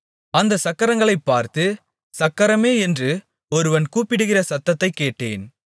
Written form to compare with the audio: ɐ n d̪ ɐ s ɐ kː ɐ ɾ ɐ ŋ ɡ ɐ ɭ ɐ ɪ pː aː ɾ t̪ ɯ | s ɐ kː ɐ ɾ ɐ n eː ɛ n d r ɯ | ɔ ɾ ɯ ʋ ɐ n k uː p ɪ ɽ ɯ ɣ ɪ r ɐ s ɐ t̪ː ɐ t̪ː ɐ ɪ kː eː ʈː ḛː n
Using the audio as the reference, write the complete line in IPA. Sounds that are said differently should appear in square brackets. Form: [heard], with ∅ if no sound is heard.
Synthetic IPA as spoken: ɐ n d̪ ɐ s ɐ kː ɐ ɾ ɐ ŋ ɡ ɐ ɭ ɐ ɪ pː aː ɾ t̪ ɯ | s ɐ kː ɐ ɾ ɐ [m] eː ɛ n d r ɯ | ɔ ɾ ɯ ʋ ɐ n k uː p ɪ ɽ ɯ ɣ ɪ r ɐ s ɐ t̪ː ɐ t̪ː ɐ ɪ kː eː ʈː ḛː n